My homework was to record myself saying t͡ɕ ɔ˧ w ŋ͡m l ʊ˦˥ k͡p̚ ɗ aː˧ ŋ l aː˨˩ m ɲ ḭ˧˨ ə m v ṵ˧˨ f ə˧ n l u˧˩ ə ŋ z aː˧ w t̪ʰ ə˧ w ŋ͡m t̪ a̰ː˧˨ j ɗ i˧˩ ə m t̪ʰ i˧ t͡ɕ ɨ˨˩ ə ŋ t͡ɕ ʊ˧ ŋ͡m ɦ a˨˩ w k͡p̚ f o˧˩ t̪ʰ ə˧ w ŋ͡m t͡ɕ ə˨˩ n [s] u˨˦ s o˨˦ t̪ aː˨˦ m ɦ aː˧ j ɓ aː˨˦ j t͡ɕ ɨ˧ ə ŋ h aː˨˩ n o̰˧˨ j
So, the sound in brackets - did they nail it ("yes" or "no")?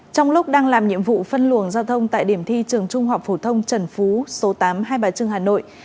no